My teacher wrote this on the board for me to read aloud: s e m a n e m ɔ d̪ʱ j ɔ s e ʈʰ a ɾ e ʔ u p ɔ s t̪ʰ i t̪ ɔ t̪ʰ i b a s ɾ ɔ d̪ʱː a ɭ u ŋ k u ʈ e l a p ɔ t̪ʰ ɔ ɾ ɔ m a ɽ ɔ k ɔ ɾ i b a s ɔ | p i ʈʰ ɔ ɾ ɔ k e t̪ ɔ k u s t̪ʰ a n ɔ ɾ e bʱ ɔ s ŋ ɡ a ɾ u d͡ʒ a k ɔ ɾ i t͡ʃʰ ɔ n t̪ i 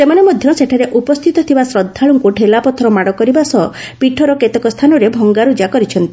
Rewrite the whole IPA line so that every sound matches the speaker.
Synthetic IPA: s e m a n e m ɔ d̪ʱ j ɔ s e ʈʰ a ɾ e ʔ u p ɔ s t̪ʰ i t̪ ɔ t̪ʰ i b a s ɾ ɔ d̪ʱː a ɭ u ŋ k u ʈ e l a p ɔ t̪ʰ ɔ ɾ ɔ m a ɽ ɔ k ɔ ɾ i b a s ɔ | p i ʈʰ ɔ ɾ ɔ k e t̪ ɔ k ɔ s t̪ʰ a n ɔ ɾ e bʱ ɔ ŋ ɡ a ɾ u d͡ʒ a k ɔ ɾ i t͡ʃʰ ɔ n t̪ i